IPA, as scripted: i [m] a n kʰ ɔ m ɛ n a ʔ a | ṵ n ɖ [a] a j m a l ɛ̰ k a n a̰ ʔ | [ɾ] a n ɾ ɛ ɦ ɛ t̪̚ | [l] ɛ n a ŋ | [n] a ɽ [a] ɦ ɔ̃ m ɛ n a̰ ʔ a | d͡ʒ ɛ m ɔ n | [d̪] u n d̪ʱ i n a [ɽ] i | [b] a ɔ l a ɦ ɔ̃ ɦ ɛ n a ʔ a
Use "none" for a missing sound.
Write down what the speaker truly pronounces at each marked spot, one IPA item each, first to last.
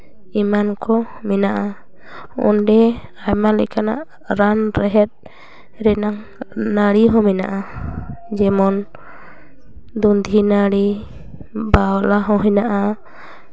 m, ɛ, ɾ, ɾ, n, i, d̪, ɽ, b

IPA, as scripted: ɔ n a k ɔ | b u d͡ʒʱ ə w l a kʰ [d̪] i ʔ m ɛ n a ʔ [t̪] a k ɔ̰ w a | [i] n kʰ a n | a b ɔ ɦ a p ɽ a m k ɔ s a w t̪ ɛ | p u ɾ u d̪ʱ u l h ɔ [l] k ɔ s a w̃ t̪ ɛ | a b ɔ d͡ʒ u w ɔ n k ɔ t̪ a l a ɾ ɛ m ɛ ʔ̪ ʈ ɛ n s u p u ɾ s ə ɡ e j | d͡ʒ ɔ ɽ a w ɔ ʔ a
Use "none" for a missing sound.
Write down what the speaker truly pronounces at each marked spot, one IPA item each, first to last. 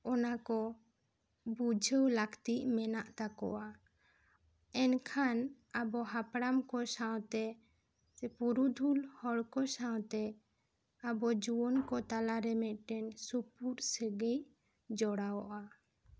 t̪, t̪, ɛ, ɽ

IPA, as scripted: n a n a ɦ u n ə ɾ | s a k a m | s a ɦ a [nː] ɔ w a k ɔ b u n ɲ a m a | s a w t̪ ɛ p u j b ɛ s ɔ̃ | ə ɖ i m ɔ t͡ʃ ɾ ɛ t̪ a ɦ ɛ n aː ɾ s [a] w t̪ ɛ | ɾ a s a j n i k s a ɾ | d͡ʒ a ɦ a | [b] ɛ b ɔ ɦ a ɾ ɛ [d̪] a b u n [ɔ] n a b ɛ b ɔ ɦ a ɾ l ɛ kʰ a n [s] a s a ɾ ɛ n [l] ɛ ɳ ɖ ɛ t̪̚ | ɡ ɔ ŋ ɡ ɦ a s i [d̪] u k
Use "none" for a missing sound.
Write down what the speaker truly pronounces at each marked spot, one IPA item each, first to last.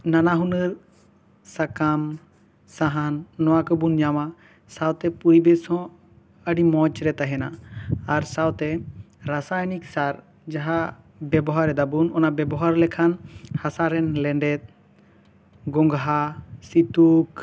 nː, a, b, d̪, ɔ, h, l, t̪

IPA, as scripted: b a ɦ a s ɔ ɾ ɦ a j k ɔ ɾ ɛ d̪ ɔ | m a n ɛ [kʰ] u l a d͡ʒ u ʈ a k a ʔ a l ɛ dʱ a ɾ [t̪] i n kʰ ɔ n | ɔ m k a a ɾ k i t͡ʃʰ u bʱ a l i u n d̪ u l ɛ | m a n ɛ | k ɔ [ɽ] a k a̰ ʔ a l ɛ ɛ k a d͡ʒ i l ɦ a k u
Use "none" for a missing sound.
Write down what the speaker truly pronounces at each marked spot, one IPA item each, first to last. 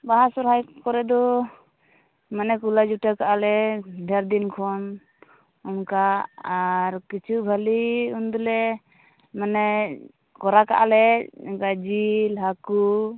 k, d̪, ɾ

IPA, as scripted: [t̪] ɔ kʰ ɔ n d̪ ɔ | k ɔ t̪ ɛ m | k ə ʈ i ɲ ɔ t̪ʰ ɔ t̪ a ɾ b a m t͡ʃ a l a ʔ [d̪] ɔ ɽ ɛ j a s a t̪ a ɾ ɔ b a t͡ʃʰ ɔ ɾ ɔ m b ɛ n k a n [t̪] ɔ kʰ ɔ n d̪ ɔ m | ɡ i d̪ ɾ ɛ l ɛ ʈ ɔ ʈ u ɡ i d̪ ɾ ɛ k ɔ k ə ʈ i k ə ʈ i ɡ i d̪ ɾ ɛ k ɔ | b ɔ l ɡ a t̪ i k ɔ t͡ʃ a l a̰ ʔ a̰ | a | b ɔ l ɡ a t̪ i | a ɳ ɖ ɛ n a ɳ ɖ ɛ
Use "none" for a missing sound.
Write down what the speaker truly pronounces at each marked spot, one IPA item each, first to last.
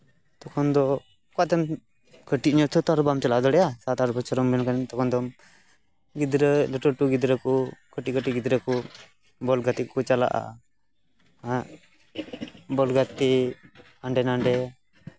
t̪, d̪, t̪

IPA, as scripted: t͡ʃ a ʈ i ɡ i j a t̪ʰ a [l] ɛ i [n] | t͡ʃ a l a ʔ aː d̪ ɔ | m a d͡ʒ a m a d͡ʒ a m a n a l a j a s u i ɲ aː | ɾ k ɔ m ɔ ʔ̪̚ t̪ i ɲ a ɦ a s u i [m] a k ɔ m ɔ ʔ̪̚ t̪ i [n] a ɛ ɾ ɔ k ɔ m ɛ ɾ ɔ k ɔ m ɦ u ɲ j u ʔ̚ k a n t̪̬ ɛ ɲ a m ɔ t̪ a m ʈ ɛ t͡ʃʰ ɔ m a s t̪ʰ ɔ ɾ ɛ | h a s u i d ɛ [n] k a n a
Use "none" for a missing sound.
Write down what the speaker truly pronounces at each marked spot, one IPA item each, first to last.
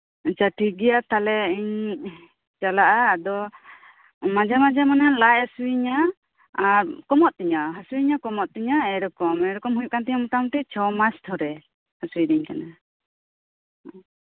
l, ɲ, ɲ, ɲ, ɲ

